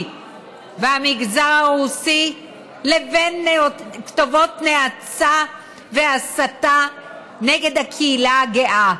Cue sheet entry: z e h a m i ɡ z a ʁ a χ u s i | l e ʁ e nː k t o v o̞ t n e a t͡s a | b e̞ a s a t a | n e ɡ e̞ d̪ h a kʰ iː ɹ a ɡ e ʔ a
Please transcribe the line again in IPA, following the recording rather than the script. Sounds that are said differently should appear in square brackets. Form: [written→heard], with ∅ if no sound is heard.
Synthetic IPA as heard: [z→v] e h a m i ɡ z a ʁ a [χ→ʁ] u s i | l e [ʁ→v] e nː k t o v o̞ t n e a t͡s a | [b→v] e̞ a s a t a | n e ɡ e̞ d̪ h a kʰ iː [ɹ→l] a ɡ e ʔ a